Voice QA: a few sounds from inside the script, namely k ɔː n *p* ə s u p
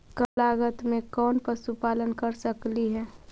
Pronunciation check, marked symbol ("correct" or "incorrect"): correct